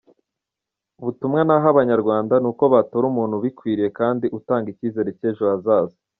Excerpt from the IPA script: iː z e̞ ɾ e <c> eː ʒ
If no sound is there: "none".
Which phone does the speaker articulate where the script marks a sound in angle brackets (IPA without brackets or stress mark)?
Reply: c